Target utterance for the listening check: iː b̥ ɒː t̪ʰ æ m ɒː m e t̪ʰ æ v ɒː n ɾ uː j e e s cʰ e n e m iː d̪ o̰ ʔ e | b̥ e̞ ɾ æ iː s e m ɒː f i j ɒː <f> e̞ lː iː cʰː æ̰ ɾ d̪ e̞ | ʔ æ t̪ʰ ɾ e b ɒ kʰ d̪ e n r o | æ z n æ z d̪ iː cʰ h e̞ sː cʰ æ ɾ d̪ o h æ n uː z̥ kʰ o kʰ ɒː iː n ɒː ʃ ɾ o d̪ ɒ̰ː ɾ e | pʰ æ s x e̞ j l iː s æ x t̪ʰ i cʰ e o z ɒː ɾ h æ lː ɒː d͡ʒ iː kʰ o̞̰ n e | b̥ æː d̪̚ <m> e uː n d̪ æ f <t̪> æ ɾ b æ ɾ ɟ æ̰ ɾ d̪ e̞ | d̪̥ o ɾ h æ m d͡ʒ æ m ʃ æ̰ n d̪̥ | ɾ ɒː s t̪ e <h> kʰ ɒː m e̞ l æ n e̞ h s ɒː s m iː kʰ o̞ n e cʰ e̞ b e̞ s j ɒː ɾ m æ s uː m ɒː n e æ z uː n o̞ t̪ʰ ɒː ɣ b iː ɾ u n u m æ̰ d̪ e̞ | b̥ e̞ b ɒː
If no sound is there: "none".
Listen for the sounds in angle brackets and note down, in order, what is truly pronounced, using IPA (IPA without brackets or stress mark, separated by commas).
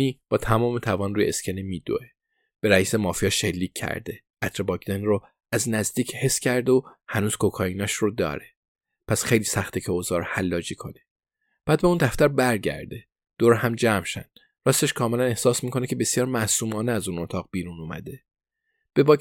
ʃ, b, t̪, ʃ